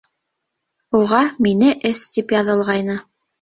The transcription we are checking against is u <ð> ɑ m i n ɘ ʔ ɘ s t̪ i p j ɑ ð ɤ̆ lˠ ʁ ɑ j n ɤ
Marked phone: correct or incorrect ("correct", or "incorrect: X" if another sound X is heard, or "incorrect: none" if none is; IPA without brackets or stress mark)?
incorrect: ʁ